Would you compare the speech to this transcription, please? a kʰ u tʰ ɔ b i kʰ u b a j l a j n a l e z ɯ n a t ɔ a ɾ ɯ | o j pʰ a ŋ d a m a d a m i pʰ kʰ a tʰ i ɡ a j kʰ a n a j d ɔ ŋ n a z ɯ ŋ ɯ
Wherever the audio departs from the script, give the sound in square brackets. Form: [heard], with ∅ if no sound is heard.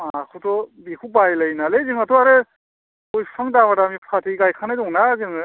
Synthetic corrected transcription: a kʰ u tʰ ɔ b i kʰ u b a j l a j n a l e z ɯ [ŋ] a t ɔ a ɾ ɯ | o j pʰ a ŋ d a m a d a m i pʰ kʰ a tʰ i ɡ a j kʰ a n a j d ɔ ŋ n a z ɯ ŋ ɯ